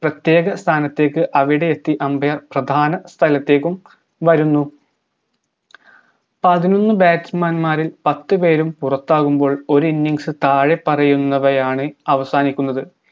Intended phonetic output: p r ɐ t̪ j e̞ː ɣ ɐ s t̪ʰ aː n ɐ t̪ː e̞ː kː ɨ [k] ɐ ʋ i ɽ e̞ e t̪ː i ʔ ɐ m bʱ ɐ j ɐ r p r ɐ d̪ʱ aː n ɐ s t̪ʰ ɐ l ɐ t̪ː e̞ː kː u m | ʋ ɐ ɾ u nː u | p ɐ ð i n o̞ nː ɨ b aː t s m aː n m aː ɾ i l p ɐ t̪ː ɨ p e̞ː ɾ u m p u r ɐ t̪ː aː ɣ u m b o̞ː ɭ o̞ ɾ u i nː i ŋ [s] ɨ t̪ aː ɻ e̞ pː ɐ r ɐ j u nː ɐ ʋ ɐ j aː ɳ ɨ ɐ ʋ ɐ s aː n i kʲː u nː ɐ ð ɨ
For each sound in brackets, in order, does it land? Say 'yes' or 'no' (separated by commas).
no, yes